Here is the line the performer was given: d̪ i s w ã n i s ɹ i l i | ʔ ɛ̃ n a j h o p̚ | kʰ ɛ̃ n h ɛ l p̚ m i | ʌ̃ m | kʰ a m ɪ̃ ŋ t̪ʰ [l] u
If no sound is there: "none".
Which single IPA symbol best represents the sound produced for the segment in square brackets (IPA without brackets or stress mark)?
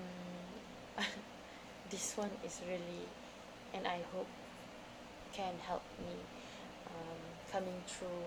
ɹ